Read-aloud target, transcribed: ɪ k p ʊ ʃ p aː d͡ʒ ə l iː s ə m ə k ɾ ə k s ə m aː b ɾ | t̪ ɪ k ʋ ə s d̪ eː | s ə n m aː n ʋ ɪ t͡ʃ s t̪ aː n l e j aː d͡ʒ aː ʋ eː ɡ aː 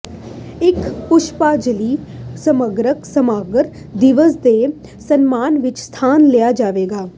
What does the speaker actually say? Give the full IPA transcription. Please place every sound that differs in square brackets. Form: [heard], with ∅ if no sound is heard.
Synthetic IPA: ɪ k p ʊ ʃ p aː d͡ʒ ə l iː s ə m ə [ɡ] ɾ ə k s ə m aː [ɡ] ɾ | [d̪] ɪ [∅] ʋ ə s d̪ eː | s ə n m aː n ʋ ɪ t͡ʃ s [t̪ʰ] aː n l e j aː d͡ʒ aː ʋ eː ɡ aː